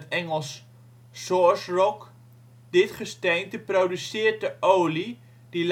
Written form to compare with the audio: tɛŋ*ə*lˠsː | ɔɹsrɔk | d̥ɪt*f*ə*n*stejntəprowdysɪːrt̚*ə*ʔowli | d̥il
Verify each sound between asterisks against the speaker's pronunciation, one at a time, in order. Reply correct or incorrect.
correct, incorrect, incorrect, correct

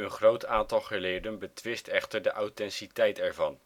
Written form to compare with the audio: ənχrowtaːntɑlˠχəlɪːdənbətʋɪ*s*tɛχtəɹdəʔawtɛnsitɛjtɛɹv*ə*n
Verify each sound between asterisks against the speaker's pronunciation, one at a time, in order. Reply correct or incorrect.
correct, incorrect

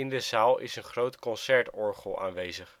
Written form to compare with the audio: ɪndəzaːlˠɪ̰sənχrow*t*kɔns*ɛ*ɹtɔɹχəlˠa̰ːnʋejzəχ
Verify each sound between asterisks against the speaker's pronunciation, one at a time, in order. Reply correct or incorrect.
correct, correct

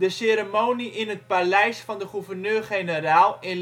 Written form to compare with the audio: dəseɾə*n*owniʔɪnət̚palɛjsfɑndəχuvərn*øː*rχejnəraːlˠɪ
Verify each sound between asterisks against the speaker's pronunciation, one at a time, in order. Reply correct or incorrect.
incorrect, correct

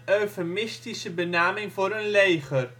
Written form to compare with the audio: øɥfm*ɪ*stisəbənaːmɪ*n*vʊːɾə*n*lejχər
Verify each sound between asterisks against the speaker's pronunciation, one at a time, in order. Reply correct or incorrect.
correct, incorrect, correct

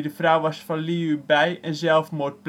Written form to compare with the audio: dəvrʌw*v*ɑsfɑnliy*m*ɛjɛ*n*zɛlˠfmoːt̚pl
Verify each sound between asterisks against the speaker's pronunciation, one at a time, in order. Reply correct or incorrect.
incorrect, incorrect, correct

